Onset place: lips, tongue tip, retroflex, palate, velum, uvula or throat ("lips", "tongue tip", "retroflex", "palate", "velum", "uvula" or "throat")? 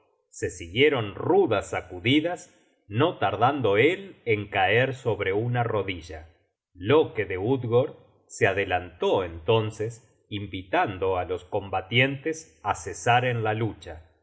tongue tip